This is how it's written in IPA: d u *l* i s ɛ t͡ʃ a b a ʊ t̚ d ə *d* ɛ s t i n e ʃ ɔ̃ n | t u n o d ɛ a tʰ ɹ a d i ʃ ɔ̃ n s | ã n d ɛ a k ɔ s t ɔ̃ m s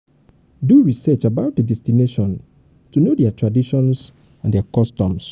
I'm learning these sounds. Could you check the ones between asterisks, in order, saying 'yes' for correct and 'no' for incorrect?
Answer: no, yes

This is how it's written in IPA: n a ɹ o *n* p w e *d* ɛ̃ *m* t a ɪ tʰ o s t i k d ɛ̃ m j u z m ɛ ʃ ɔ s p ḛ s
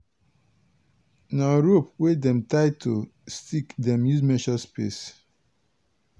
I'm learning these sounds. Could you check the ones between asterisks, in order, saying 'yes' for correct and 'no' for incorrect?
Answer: no, yes, yes

